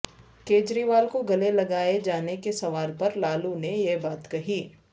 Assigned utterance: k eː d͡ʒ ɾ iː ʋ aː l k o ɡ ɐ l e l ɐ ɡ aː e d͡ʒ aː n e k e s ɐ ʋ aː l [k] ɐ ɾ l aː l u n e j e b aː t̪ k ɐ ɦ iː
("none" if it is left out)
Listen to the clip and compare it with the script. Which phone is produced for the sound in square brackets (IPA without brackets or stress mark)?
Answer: p